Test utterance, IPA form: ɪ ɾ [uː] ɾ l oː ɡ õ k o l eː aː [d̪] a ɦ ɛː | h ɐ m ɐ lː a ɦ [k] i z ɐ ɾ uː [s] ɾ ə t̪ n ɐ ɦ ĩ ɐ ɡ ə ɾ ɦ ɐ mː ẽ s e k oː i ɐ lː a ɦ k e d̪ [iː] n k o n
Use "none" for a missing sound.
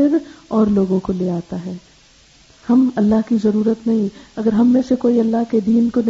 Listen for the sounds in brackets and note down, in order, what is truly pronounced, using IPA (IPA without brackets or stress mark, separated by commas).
ɔː, t̪, k, none, iː